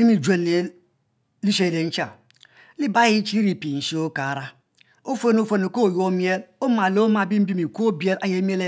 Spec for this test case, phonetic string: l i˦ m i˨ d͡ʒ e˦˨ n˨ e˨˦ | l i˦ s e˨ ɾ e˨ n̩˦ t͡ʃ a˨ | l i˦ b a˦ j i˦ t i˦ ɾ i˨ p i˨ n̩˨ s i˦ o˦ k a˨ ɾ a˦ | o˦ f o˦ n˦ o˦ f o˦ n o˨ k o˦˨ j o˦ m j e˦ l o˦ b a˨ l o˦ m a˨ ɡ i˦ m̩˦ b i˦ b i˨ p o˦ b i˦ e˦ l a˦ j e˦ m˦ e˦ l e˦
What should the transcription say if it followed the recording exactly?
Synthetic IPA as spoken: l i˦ m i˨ d͡ʒ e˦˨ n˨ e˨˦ | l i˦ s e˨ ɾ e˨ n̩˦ t͡ʃ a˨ | l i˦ b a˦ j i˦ t͡ʃ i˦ ɾ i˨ p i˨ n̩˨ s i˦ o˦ k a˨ ɾ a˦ | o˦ f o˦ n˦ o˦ f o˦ n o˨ k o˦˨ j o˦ m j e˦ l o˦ m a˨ l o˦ m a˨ b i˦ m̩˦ b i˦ m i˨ k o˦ b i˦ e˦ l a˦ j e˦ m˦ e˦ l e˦